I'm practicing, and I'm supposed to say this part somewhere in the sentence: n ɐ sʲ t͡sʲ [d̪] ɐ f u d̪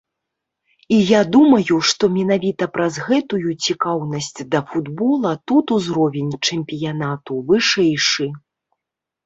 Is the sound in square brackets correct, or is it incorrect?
correct